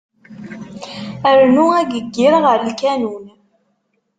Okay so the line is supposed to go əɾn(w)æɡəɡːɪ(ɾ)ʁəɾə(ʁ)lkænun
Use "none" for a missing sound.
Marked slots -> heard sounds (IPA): u, ɾ, none

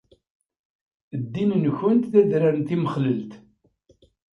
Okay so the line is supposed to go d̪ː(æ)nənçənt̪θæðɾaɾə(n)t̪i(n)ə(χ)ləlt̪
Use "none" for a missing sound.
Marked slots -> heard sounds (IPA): i, n, m, χ

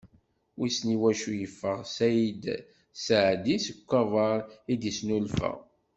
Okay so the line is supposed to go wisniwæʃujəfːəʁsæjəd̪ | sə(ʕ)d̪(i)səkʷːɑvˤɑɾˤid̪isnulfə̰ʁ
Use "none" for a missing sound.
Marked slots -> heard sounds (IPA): ʕ, i

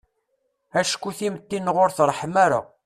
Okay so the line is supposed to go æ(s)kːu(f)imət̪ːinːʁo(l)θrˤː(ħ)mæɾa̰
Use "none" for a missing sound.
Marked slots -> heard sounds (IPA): ʃ, θ, ɾ, ħ

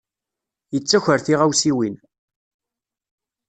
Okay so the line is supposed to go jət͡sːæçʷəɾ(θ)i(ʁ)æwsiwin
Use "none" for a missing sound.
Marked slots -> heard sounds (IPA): θ, ʁ

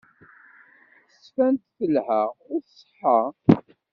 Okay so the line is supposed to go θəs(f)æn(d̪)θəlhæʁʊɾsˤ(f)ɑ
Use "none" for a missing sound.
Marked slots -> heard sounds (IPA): f, t̪, ħ

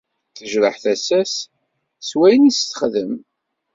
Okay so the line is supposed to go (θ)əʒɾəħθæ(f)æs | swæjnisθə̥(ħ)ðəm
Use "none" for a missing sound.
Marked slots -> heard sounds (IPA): θ, s, χ

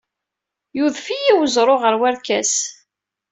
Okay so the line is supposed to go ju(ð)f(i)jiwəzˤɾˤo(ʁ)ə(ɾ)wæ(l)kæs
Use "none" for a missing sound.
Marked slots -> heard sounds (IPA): ð, i, ʁ, ɾ, ɾ

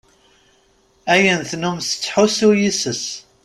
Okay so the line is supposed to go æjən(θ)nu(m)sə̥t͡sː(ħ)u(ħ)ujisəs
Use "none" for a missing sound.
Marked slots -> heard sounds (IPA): θ, m, ħ, s

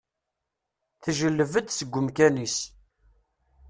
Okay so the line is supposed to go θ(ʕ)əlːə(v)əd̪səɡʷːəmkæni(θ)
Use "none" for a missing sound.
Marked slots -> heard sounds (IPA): ʒ, v, s

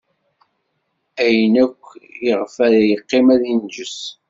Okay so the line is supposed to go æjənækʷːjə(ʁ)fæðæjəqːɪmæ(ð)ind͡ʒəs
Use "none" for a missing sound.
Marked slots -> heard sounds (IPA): ʁ, ð

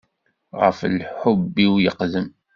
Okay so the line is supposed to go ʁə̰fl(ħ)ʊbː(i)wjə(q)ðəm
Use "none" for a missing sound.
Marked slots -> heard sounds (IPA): ħ, i, q

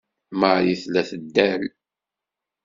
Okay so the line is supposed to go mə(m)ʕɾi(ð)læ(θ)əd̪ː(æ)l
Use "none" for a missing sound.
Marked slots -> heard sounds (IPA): none, θ, θ, æ

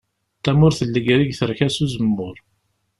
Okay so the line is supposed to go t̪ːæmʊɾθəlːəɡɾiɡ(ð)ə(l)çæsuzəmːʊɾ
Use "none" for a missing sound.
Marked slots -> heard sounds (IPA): θ, ɾ

